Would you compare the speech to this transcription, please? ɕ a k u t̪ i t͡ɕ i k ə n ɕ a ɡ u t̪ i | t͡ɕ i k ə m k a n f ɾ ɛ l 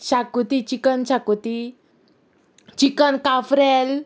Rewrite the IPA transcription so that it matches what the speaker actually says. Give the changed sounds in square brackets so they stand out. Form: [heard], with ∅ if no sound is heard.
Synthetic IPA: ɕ a k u t̪ i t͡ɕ i k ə n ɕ a [k] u t̪ i | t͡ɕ i k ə [n] k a [∅] f ɾ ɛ l